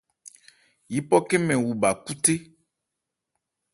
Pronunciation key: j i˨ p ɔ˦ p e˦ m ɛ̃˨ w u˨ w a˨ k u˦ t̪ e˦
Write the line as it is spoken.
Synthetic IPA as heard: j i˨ p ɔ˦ k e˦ m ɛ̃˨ w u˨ b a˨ k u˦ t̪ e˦